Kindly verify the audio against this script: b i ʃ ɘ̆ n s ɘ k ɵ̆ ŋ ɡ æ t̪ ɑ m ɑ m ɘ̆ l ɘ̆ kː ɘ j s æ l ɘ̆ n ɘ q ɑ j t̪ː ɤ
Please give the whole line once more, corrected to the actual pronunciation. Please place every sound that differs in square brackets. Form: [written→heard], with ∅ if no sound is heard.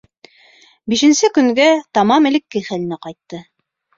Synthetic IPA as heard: b i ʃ ɘ̆ n s ɘ k ɵ̆ ŋ ɡ æ t̪ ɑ m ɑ m ɘ̆ l ɘ̆ kː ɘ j [s→χ] æ l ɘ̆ n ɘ q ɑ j t̪ː ɤ